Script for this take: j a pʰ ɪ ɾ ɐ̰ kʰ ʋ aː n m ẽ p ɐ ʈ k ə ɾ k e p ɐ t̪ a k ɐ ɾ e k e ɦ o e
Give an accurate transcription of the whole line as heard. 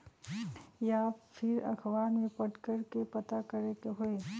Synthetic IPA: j a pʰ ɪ ɾ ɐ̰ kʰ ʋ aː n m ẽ p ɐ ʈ k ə ɾ k e p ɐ t̪ a k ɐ ɾ e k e ɦ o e